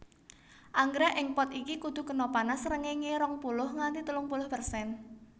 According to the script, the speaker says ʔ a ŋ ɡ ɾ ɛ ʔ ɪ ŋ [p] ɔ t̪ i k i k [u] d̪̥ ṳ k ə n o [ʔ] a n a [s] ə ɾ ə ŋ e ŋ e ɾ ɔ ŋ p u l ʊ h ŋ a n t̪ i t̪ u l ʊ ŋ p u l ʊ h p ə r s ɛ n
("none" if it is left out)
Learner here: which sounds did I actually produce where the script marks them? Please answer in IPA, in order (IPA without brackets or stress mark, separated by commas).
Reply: p, u, p, s